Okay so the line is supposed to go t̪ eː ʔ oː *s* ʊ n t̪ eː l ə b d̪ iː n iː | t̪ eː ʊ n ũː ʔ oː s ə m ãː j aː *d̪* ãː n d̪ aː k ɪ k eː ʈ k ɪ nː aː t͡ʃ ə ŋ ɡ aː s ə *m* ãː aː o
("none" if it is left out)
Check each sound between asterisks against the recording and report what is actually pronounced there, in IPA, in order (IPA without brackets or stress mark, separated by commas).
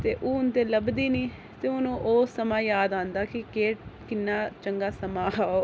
none, d̪, m